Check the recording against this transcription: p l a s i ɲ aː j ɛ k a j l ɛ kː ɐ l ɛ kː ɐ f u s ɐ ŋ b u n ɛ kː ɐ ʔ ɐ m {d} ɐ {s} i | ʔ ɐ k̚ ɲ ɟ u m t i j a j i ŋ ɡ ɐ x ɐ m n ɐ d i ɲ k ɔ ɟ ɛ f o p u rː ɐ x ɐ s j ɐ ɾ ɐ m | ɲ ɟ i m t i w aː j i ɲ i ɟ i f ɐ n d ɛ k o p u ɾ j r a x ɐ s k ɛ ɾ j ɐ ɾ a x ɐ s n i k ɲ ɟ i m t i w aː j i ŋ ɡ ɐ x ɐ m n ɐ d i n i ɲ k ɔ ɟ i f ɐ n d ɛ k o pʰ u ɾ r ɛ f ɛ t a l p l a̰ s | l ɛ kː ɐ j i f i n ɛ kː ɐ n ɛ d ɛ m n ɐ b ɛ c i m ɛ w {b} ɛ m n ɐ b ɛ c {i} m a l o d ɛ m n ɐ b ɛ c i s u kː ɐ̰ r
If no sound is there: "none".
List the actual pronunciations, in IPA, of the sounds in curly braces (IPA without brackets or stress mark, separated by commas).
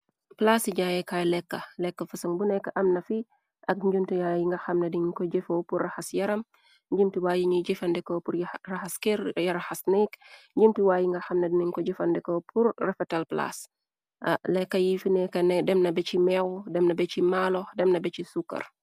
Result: n, f, d, i